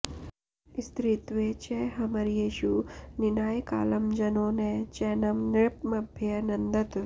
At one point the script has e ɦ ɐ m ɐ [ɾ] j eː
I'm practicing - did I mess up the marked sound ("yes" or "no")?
no